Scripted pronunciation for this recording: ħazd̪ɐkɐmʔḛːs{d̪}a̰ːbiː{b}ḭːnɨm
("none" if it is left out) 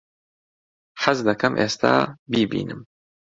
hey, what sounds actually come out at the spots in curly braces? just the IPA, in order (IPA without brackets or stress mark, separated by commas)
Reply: t̪, b